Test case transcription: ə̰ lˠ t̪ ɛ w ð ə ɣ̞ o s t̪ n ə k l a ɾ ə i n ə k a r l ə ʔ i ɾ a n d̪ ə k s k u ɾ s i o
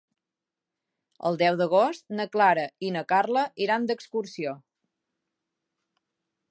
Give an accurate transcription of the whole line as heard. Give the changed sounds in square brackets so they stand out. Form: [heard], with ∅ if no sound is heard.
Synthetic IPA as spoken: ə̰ lˠ [d̪] ɛ w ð ə ɣ̞ o s t̪ n ə k l a ɾ ə i n ə k a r l ə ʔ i ɾ a n d̪ ə k s k u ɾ s i o

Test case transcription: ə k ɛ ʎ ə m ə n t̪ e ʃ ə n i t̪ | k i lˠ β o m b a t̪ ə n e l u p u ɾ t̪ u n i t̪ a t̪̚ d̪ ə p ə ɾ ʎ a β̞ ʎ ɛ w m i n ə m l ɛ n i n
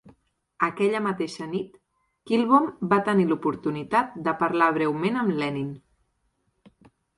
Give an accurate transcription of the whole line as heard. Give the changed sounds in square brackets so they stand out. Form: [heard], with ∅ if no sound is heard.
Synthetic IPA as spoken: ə k ɛ ʎ ə m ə [∅] t̪ e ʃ ə n i t̪ | k i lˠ β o m b a t̪ ə n [i] l u p u ɾ t̪ u n i t̪ a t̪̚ d̪ ə p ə ɾ [l] a β̞ [ɾ] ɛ w m [e] n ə m l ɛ n i n

